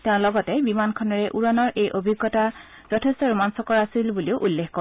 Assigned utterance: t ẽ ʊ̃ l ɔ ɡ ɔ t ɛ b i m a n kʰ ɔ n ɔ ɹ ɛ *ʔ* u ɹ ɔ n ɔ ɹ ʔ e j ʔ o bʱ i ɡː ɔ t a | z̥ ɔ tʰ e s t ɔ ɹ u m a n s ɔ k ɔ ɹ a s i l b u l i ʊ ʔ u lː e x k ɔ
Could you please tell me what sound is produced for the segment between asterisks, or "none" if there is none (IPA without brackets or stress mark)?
ʔ